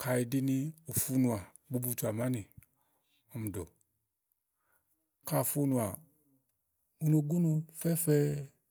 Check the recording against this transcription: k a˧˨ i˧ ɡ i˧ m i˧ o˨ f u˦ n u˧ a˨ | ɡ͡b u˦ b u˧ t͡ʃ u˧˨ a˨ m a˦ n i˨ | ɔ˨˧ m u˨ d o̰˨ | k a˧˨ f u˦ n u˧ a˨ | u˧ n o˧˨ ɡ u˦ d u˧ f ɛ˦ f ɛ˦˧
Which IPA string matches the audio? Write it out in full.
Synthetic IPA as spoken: k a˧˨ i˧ d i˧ n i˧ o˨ f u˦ n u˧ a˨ | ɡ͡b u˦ b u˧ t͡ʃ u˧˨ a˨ m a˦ n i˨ | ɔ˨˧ m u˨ d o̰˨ | k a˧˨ f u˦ n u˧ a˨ | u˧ n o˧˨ ɡ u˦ n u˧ f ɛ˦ f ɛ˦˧

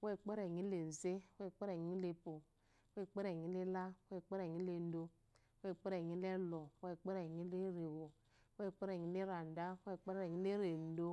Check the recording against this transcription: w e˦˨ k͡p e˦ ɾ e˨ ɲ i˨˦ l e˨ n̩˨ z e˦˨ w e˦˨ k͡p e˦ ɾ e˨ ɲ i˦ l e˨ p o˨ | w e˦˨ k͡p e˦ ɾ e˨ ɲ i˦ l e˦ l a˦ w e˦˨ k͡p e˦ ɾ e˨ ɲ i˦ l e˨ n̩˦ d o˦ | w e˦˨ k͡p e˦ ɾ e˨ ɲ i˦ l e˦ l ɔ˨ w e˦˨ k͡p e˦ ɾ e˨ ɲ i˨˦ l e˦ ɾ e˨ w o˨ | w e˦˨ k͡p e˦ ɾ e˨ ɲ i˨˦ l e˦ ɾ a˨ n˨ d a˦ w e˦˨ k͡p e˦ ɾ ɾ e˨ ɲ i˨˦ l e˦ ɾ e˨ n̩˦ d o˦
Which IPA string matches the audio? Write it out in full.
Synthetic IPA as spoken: w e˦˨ k͡p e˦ ɾ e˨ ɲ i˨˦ l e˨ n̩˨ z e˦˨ w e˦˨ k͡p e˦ ɾ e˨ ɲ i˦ l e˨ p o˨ | w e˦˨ k͡p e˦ ɾ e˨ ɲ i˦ l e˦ l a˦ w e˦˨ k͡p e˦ ɾ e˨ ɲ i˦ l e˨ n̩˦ d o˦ | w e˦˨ k͡p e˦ ɾ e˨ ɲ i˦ l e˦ l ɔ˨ w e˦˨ k͡p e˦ ɾ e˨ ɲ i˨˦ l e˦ ɾ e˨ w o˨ | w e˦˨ k͡p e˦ ɾ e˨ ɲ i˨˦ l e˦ ɾ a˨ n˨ d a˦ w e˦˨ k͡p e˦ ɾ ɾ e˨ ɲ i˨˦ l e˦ ɾ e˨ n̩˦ d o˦

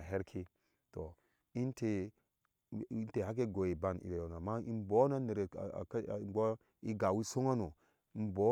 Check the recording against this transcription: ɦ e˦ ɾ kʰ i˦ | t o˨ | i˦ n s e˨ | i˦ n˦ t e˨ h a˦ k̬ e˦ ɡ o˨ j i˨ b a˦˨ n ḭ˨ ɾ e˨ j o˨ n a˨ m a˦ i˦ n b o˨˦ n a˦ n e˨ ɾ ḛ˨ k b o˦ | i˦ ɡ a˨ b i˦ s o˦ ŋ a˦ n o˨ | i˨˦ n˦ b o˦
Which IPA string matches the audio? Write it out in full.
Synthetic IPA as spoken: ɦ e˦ ɾ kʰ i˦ | t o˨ | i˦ n t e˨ | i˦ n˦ t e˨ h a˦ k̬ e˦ ɡ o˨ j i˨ b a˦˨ n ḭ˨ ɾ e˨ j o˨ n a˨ m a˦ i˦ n b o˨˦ n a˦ n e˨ ɾ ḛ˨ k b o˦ | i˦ ɡ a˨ w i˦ s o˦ ŋ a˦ n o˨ | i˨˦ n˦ b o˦

